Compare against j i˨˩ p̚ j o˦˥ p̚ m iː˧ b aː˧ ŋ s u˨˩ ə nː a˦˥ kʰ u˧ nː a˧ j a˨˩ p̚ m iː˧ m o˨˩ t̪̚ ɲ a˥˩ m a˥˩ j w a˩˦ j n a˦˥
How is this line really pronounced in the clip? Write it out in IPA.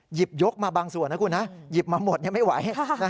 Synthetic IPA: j i˨˩ p̚ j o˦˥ k̚ m aː˧ b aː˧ ŋ s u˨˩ ə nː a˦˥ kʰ u˧ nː a˦˥ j i˨˩ p̚ m aː˧ m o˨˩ t̪̚ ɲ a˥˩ m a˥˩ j w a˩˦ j n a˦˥